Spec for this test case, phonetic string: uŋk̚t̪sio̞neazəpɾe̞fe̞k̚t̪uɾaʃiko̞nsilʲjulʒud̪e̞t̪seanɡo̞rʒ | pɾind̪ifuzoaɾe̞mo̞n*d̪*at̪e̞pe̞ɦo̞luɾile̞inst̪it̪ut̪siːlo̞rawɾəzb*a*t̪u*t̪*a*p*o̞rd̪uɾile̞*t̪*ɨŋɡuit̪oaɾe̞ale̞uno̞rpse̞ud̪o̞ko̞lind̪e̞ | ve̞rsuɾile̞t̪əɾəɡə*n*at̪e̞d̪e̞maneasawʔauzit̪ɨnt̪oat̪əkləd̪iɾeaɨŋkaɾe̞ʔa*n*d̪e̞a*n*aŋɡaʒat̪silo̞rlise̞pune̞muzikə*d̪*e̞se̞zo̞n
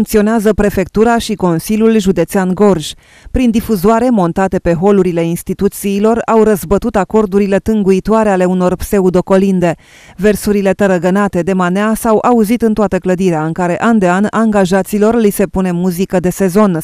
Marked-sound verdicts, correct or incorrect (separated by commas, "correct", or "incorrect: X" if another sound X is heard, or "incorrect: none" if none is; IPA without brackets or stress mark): incorrect: t̪, incorrect: ə, correct, incorrect: k, correct, correct, correct, correct, correct